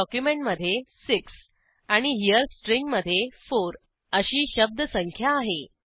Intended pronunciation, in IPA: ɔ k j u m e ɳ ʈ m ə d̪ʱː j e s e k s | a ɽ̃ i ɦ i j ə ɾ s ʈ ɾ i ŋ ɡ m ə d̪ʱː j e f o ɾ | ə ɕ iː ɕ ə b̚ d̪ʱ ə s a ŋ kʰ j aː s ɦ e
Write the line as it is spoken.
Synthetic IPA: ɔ k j u m e ɳ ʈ m ə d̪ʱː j e s i k s | a ɽ̃ i ɦ i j ə ɾ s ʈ ɾ i ŋ ɡ m ə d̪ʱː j e f o ɾ | ə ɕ iː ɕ ə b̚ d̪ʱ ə s ə ŋ kʰ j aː ɦ e